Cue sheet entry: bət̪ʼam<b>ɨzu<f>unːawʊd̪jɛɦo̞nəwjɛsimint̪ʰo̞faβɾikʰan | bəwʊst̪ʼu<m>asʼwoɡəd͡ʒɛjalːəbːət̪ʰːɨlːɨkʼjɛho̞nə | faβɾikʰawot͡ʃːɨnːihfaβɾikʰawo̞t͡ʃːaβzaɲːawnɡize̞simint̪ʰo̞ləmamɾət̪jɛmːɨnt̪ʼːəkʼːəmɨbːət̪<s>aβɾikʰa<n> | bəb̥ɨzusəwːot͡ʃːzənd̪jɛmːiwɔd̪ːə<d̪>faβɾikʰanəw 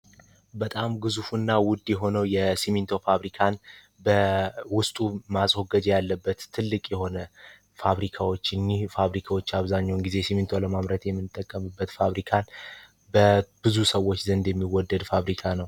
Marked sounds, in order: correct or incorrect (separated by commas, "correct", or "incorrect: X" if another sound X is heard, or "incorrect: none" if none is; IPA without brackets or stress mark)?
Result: incorrect: ɡ, correct, correct, incorrect: f, correct, correct